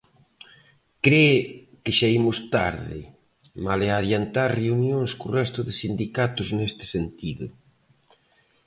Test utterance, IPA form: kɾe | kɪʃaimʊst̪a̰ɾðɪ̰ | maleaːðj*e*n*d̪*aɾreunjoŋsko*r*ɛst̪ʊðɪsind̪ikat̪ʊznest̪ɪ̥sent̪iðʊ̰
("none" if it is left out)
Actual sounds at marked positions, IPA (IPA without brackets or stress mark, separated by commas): a, t̪, r